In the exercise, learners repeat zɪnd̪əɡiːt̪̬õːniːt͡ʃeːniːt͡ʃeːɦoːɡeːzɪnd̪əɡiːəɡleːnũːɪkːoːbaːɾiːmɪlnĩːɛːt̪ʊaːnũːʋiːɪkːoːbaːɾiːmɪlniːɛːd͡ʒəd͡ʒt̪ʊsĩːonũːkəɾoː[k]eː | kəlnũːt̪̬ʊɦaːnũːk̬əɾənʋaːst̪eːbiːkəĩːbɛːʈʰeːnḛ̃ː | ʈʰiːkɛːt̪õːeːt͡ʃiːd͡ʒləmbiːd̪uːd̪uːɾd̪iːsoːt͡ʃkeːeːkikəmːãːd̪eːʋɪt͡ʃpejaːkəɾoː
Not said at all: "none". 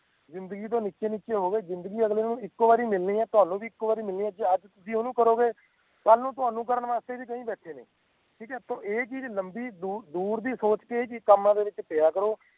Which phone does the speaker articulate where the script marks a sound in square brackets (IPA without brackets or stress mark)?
ɡ